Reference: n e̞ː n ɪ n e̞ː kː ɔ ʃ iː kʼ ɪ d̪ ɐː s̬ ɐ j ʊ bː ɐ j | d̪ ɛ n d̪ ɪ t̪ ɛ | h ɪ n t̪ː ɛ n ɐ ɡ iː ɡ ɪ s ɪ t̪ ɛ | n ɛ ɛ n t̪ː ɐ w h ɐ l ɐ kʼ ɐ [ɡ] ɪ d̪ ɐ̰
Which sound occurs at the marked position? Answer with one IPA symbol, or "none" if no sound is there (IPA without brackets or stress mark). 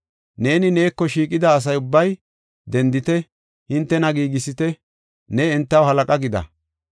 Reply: ɡ